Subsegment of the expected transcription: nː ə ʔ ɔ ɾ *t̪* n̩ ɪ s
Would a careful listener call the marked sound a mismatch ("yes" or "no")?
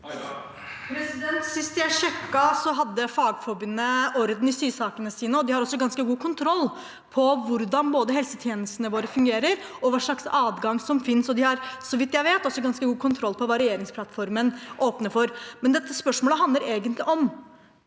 yes